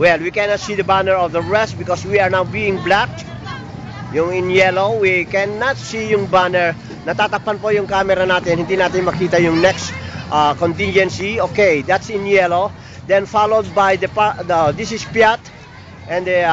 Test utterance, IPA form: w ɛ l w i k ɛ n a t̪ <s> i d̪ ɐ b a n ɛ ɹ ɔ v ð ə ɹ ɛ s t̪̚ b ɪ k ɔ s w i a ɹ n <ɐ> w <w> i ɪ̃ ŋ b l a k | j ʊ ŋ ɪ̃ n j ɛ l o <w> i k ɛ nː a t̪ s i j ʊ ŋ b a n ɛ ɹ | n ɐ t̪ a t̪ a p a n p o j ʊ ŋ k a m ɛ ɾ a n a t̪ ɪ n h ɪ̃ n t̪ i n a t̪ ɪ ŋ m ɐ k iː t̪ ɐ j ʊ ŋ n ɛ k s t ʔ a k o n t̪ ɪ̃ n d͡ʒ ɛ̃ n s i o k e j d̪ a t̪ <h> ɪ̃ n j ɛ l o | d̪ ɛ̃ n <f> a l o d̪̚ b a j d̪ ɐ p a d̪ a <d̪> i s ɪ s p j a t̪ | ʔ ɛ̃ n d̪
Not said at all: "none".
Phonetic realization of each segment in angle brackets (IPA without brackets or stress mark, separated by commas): s, a, b, w, s, f, d̪